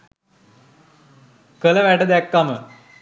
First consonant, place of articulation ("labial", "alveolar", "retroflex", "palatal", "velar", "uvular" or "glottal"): velar